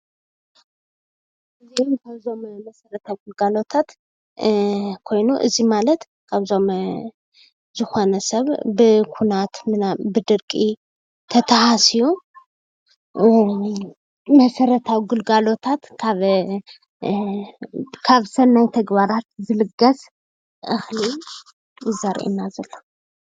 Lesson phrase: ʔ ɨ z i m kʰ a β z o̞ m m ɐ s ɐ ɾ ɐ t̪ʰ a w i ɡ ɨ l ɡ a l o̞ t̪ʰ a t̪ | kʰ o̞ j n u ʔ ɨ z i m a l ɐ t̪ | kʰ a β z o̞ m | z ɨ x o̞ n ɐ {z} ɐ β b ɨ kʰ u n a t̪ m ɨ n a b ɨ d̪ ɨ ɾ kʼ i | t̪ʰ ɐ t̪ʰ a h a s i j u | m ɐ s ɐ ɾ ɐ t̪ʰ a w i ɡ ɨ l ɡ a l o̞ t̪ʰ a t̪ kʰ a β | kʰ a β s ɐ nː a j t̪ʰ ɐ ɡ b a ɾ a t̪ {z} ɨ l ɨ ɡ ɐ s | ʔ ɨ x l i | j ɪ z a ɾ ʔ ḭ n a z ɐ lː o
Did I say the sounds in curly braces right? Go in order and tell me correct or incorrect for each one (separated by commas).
incorrect, correct